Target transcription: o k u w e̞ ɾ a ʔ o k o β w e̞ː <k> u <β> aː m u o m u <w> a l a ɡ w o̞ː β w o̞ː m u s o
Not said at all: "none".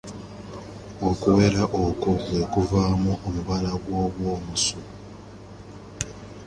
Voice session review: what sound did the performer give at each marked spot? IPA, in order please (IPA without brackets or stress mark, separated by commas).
k, v, β